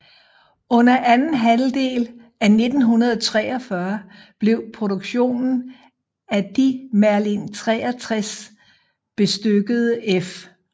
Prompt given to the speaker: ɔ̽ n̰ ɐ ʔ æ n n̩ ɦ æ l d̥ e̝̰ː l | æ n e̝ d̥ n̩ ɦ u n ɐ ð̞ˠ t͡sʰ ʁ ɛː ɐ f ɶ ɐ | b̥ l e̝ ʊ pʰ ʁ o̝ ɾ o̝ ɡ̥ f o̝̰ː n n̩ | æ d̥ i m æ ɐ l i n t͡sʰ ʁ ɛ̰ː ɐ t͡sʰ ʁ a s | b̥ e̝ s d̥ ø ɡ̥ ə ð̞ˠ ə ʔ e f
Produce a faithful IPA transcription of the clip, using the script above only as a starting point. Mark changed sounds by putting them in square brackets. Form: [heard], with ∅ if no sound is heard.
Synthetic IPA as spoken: ɔ̽ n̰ ɐ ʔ æ n n̩ ɦ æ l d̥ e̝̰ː l | æ n e̝ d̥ n̩ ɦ u n ɐ ð̞ˠ t͡sʰ ʁ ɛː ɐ f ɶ ɐ | b̥ l e̝ ʊ pʰ ʁ o̝ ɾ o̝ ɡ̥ [ɕ] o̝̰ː n n̩ | æ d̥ i m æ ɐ l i n t͡sʰ ʁ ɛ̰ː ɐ t͡sʰ ʁ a s | b̥ e̝ s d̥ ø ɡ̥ ə ð̞ˠ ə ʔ e f